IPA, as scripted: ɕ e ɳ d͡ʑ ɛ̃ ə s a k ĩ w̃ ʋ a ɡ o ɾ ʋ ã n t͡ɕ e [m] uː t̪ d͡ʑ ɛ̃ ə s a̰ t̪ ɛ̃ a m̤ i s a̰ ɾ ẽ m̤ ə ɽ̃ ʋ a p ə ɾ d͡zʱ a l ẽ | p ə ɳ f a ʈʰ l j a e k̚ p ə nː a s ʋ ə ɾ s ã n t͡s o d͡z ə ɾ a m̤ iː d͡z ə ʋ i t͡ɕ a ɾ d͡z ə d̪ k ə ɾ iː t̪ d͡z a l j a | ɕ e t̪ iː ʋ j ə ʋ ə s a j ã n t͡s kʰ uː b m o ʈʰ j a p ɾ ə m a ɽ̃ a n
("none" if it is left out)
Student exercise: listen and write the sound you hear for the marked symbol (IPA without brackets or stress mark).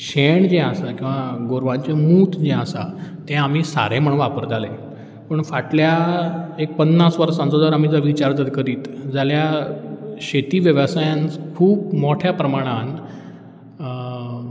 m